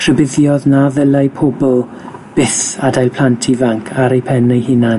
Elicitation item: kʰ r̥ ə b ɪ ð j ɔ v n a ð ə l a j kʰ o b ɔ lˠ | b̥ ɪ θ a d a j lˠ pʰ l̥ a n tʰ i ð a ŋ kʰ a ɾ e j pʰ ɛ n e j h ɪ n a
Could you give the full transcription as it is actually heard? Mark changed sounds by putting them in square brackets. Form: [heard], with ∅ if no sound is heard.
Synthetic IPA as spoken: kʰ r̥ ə b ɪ ð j ɔ [ð] n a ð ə l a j [pʰ] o b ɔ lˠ | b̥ ɪ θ a d a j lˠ pʰ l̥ a n tʰ i [v] a ŋ kʰ a ɾ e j pʰ ɛ n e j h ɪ n a